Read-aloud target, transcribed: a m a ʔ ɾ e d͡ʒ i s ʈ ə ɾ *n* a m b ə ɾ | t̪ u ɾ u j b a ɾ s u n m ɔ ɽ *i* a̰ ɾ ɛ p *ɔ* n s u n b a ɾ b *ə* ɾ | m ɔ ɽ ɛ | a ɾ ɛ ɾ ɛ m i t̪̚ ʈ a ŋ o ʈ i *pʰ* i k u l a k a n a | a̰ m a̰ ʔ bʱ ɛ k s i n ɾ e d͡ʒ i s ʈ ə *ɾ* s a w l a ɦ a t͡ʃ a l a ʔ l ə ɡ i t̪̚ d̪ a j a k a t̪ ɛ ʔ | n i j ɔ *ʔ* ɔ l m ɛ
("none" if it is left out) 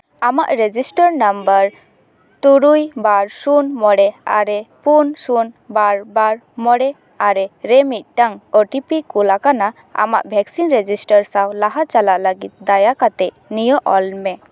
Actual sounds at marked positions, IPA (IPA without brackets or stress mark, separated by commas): n, ɛ, u, a, p, ɾ, ʔ